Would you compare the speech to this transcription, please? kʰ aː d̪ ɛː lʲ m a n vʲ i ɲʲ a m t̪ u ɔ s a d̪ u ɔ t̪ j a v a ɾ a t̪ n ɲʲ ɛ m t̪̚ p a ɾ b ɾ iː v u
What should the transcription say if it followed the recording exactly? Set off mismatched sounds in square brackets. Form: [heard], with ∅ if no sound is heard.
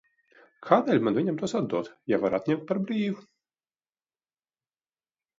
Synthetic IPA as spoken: kʰ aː d̪ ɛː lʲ m a n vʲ i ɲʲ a m t̪ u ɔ s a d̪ u ɔ t̪ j a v a ɾ a t̪ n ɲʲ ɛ m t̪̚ p a ɾ b ɾ iː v u